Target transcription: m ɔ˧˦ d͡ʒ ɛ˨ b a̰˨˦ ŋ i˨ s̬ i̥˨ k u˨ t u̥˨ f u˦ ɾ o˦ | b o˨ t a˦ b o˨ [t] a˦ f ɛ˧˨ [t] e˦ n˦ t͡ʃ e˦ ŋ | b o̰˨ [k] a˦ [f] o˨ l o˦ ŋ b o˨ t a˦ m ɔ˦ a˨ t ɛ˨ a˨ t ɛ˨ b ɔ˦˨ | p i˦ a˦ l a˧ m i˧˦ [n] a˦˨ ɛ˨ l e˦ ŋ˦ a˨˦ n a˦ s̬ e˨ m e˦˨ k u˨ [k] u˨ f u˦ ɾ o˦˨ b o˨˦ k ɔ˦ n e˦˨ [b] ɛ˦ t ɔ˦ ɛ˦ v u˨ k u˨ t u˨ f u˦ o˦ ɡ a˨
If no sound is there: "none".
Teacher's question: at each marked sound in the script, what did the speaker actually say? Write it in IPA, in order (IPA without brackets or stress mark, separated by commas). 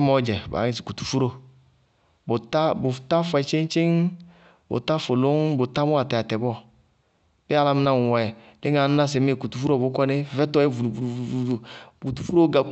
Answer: t, t͡ʃ, t, f, n, t, v